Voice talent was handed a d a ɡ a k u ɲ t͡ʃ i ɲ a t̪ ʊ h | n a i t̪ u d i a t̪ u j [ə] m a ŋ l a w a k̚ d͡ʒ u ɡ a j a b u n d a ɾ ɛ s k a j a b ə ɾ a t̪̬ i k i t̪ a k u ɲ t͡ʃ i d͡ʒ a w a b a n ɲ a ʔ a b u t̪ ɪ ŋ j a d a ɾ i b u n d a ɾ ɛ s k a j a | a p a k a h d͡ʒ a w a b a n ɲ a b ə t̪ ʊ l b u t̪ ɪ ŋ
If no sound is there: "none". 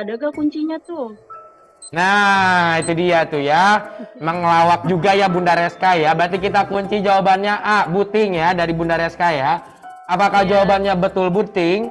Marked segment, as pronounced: a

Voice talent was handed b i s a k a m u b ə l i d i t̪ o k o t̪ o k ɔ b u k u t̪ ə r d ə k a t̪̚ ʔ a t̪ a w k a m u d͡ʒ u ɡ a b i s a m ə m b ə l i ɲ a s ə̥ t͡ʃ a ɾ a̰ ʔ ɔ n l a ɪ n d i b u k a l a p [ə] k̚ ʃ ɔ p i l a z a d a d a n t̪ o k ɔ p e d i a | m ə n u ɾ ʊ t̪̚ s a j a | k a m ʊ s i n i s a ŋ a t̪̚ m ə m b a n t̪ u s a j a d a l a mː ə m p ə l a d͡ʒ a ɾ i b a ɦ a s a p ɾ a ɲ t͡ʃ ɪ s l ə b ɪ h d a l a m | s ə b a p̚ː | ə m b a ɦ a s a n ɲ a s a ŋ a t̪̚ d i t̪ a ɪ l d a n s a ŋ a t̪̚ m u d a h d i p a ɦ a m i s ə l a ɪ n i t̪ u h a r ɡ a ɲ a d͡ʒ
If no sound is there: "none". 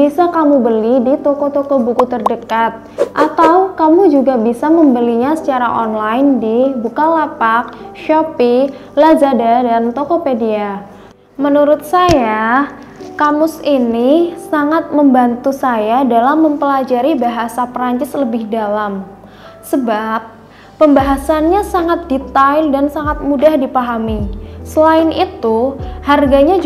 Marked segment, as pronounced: a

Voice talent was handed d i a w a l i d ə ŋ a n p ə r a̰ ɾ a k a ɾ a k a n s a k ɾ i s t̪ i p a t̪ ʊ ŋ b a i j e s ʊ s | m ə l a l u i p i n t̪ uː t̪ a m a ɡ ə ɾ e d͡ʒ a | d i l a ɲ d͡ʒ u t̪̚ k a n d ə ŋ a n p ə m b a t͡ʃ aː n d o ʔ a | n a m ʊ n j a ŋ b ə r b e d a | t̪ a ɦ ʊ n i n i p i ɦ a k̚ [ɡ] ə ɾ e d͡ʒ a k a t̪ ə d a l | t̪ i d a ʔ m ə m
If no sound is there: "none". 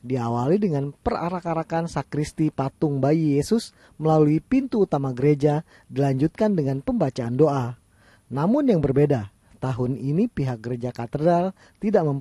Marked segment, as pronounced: ɡ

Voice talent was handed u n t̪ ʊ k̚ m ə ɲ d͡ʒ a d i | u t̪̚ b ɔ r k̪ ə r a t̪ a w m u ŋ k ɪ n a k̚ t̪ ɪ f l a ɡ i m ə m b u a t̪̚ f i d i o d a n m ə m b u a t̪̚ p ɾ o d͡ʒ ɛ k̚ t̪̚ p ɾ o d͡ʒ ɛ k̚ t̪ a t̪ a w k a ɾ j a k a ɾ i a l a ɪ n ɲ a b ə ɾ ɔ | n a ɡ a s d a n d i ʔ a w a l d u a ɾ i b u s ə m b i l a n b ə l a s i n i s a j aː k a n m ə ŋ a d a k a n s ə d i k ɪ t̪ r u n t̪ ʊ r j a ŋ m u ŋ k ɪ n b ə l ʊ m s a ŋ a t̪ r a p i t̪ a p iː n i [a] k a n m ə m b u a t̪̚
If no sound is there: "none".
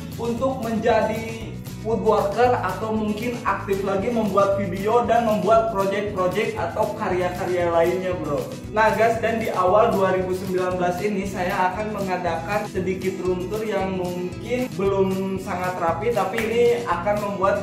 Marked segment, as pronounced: a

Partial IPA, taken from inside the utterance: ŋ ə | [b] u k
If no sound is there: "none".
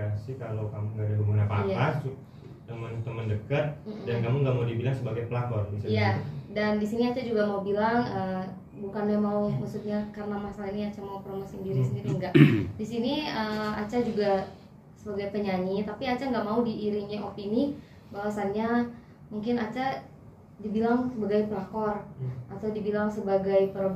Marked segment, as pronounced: b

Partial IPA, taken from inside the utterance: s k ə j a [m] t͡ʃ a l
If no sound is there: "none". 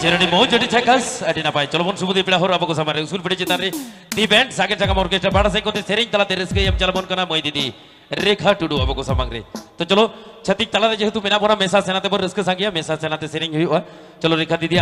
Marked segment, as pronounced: m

